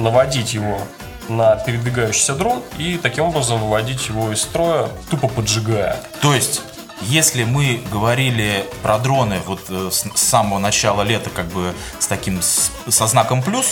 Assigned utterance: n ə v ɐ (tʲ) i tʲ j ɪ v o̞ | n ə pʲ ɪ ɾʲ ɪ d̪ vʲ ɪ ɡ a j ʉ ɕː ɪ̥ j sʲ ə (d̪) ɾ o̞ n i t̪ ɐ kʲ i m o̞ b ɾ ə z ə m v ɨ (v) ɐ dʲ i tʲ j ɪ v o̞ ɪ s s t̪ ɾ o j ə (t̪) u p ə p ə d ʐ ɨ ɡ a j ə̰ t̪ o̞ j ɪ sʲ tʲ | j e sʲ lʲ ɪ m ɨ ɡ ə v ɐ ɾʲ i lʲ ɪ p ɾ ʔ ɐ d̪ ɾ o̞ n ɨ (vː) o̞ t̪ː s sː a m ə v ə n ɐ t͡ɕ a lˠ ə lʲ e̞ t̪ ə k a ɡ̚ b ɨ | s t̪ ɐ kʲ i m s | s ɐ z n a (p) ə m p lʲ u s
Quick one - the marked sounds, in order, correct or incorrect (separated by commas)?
incorrect, correct, correct, correct, incorrect, incorrect